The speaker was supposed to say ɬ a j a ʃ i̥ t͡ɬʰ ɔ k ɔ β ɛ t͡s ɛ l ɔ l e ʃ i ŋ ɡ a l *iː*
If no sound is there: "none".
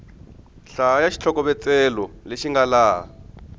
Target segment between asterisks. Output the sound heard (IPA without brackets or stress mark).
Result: aː